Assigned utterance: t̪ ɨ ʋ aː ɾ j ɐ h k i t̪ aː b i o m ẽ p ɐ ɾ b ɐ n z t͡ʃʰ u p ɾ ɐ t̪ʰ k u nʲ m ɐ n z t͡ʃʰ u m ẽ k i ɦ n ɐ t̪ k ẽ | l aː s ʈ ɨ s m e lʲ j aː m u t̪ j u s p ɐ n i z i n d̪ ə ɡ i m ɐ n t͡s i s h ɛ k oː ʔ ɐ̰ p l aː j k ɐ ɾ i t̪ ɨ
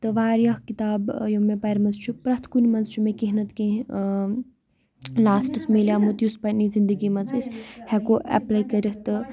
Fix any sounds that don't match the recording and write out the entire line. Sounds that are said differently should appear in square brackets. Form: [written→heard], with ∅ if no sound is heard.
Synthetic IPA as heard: t̪ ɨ ʋ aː ɾ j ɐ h k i t̪ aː b [i→j] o m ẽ p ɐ ɾ [b→m] ɐ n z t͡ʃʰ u p ɾ ɐ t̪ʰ k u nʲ m ɐ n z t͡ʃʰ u m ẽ k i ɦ n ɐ t̪ k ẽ | l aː s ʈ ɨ s m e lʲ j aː m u t̪ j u s p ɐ n i z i n d̪ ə ɡ i m ɐ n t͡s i s h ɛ k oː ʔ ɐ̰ p l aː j k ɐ ɾ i t̪ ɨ

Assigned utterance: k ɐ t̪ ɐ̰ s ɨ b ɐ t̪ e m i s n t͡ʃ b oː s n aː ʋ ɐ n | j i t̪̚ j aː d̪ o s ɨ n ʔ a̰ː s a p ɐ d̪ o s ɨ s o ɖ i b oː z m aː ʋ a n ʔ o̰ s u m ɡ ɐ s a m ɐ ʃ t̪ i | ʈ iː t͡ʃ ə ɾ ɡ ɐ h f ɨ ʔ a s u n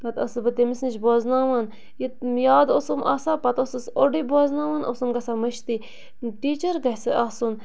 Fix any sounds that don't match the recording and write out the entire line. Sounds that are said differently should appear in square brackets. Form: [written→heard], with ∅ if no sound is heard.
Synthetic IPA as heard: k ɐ t̪ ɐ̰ s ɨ b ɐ t̪ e m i s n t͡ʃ b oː [s→z] n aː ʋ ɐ n | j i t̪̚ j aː d̪ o s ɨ [n→m] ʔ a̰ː s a p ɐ [d̪→t̪] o s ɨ s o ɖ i b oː z [m→n] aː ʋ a n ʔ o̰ s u m ɡ ɐ s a m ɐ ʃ t̪ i | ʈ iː t͡ʃ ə ɾ ɡ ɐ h [f→s] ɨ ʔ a s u n

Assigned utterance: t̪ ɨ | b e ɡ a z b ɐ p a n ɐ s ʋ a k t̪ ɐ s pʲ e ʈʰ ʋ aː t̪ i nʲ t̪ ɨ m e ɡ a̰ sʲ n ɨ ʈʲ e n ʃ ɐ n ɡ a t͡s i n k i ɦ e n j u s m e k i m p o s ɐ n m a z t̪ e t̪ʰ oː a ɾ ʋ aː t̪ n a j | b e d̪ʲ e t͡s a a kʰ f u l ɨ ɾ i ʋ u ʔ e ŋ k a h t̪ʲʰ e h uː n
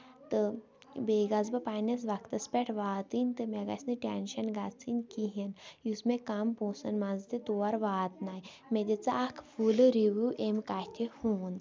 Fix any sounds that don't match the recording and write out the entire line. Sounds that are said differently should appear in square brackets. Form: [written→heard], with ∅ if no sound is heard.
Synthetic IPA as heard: t̪ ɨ | b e ɡ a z b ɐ p a n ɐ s ʋ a k t̪ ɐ s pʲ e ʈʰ ʋ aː t̪ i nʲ t̪ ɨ m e ɡ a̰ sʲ n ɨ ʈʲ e n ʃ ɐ n ɡ a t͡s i n k i ɦ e n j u s m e k [i→a] m p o s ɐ n m a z t̪ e [t̪ʰ→t̪] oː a ɾ ʋ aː t̪ n a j | [b→m] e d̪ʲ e t͡s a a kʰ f u l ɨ ɾ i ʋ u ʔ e [ŋ→m] k a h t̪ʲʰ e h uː n

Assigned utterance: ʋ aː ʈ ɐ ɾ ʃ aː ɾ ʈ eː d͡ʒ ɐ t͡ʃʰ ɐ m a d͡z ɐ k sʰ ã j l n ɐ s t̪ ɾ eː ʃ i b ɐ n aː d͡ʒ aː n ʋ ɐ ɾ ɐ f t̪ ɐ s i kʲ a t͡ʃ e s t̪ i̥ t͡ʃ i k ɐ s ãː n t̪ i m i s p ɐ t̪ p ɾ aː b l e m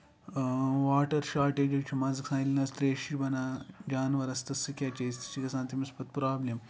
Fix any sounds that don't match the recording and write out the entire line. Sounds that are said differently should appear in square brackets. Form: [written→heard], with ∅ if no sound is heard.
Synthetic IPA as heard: ʋ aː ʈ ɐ ɾ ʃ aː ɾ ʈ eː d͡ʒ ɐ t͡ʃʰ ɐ m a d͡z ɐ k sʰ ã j l n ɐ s t̪ ɾ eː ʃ i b ɐ n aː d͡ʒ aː n ʋ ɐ ɾ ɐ [f→s] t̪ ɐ s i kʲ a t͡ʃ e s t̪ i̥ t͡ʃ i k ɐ s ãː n t̪ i m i s p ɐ t̪ p ɾ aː b l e m

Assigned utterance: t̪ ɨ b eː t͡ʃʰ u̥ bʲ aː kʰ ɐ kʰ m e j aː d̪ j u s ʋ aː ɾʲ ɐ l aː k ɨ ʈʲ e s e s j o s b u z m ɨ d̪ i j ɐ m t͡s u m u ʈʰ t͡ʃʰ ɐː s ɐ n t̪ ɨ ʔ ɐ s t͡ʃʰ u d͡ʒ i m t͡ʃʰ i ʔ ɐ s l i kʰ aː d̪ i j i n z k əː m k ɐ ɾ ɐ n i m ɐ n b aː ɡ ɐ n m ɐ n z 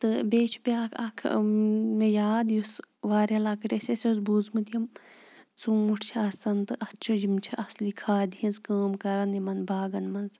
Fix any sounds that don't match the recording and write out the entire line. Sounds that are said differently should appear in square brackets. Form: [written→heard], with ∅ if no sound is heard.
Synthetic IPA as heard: t̪ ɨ b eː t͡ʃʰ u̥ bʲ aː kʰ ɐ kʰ m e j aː d̪ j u s ʋ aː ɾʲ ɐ l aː k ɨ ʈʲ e s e s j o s b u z m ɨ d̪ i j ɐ m t͡s u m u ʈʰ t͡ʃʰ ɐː s ɐ n t̪ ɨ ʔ ɐ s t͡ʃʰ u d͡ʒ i m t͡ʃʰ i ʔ ɐ s l i kʰ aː d̪ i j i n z k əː m k ɐ ɾ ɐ n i m ɐ n b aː ɡ ɐ n m ɐ n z

